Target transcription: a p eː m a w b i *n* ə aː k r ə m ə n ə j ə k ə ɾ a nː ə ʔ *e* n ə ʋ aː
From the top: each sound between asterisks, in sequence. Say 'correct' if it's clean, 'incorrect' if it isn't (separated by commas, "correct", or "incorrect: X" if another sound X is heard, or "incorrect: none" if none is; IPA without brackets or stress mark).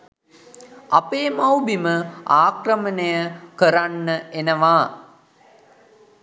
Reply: incorrect: m, correct